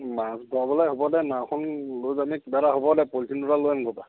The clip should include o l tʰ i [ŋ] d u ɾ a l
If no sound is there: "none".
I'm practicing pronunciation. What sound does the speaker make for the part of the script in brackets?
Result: n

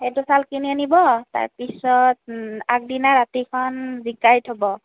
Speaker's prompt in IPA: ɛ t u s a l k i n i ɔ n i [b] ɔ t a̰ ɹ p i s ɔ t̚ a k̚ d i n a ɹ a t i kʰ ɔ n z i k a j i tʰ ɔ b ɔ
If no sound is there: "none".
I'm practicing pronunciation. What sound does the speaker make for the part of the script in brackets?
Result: b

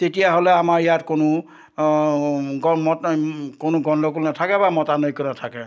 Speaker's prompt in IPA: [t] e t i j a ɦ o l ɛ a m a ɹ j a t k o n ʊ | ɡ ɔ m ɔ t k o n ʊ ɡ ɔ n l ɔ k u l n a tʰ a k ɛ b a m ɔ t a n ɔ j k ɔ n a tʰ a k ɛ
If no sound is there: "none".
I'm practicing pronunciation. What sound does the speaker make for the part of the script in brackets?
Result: t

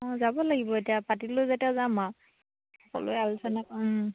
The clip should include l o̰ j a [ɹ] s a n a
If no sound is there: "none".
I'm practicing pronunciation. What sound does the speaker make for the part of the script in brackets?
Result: l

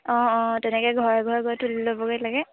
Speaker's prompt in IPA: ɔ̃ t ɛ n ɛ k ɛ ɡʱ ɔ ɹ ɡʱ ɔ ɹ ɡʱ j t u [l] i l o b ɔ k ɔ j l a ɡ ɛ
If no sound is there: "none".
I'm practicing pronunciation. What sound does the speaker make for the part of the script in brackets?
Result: l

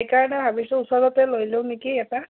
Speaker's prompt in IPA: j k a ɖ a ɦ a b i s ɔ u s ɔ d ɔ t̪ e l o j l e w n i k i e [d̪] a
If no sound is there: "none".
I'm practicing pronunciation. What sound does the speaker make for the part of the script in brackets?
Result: t̪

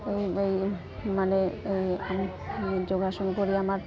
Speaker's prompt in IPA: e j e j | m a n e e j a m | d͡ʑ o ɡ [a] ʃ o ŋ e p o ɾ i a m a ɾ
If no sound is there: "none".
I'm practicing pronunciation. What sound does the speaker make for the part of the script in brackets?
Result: a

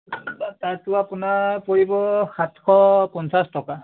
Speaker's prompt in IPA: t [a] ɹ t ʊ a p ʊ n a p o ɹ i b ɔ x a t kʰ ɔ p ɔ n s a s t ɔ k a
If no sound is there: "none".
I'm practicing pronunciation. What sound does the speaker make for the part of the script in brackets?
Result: a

